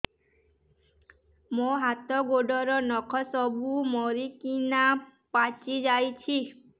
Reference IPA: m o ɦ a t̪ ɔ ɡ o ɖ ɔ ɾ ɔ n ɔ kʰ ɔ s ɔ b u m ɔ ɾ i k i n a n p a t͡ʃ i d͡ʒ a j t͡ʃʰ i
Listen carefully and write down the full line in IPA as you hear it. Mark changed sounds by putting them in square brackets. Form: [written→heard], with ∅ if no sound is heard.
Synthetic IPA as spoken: m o ɦ a t̪ ɔ ɡ o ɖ ɔ ɾ ɔ n ɔ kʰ ɔ s ɔ b u m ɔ ɾ i k i n a [n→∅] p a t͡ʃ i d͡ʒ a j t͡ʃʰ i